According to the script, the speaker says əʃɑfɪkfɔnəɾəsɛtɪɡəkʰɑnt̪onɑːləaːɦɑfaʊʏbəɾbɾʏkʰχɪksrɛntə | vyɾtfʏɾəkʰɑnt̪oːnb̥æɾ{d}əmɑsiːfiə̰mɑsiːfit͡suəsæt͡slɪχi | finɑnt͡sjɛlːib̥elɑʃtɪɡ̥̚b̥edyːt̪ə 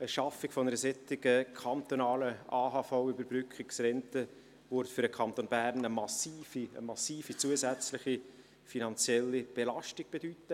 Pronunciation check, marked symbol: incorrect: n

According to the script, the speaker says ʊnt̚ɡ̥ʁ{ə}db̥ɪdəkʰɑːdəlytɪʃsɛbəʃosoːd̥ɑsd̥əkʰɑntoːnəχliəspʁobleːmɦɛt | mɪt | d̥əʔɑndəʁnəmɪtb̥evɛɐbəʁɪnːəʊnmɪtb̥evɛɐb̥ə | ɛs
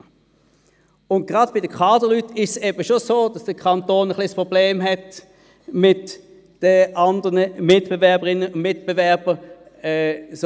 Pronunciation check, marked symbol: incorrect: ɑ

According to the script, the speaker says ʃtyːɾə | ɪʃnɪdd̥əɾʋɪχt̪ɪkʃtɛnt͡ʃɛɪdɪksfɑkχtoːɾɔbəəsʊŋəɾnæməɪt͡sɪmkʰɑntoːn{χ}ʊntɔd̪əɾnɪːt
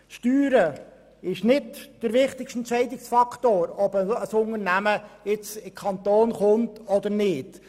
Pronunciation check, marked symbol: correct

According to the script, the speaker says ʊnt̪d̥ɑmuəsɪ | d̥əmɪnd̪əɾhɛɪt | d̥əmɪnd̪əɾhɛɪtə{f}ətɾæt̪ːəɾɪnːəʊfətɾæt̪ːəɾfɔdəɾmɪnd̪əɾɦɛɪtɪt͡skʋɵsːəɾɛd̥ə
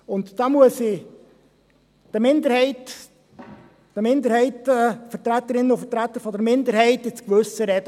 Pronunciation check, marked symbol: correct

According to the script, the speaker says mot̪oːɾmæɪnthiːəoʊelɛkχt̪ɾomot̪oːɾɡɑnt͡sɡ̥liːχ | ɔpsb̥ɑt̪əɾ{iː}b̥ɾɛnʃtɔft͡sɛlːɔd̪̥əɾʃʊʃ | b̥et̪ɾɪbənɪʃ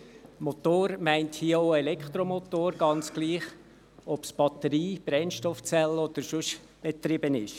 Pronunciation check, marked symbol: correct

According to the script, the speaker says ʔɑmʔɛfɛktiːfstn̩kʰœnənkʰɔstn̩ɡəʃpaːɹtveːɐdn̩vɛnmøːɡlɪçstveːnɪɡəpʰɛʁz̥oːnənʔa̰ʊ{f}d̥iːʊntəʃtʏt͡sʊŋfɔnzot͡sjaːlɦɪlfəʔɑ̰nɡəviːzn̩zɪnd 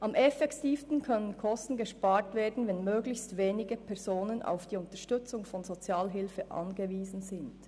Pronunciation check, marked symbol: correct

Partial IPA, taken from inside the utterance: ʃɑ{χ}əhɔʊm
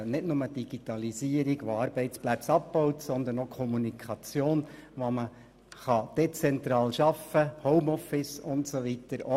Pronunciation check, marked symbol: incorrect: f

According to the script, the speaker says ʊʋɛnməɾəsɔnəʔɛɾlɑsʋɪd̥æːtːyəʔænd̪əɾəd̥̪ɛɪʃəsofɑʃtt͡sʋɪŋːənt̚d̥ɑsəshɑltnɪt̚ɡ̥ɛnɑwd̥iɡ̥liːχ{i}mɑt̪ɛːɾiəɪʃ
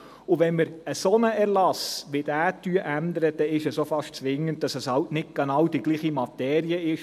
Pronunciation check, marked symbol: correct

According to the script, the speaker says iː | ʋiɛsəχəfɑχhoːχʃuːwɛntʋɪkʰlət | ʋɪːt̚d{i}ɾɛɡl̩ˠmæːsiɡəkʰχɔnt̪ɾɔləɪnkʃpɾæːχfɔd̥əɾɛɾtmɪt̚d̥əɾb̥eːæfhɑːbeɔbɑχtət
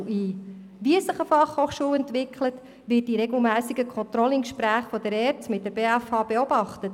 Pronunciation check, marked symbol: correct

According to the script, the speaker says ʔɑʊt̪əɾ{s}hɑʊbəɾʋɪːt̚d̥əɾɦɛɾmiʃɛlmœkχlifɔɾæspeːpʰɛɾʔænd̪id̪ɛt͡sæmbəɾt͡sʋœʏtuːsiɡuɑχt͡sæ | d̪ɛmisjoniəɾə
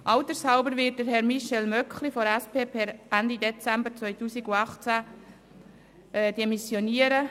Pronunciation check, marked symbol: correct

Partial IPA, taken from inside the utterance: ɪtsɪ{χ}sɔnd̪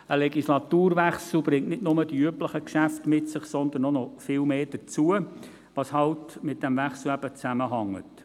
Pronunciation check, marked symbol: correct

